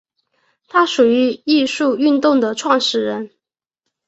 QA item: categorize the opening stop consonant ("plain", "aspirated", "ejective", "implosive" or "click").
aspirated